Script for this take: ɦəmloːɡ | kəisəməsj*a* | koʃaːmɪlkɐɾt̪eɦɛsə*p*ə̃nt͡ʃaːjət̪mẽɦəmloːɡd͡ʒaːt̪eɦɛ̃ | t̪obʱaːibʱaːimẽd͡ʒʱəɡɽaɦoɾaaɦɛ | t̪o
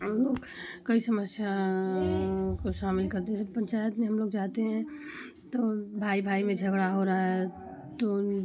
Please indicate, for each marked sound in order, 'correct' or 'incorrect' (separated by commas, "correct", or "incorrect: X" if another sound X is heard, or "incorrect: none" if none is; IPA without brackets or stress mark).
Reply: correct, correct